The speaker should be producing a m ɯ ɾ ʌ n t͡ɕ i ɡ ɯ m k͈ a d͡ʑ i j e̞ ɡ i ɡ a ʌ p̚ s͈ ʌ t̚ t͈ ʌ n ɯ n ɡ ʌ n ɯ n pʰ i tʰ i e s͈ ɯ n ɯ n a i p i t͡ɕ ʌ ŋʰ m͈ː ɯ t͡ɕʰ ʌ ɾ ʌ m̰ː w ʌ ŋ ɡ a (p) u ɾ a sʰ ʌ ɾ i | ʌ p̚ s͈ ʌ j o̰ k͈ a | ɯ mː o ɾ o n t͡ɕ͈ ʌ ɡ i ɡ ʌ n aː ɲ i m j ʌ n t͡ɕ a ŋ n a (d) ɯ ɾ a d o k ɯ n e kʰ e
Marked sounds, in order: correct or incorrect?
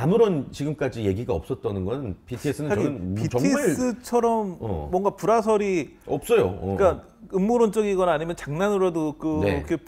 correct, incorrect

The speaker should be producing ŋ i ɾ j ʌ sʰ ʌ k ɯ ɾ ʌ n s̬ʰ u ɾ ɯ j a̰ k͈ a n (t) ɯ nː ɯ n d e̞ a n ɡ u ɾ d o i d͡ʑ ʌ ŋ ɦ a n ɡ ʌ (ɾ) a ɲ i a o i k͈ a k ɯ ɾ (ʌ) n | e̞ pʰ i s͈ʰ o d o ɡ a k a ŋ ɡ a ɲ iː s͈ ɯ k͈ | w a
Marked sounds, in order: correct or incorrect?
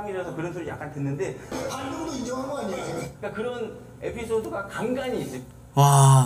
correct, incorrect, correct

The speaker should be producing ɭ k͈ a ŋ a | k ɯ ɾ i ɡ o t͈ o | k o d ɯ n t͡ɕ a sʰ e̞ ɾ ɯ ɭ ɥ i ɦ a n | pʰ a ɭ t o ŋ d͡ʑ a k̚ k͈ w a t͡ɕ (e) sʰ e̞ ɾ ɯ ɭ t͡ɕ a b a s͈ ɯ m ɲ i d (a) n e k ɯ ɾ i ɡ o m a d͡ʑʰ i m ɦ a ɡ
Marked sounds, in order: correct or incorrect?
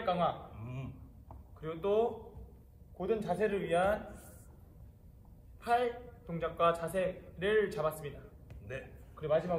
incorrect, correct

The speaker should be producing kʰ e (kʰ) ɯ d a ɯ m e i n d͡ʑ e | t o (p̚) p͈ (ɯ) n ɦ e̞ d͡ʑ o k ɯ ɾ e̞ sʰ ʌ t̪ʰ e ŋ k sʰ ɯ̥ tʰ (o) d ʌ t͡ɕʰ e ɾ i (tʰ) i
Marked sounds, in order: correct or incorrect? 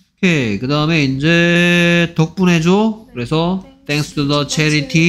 incorrect, incorrect, incorrect, incorrect, correct

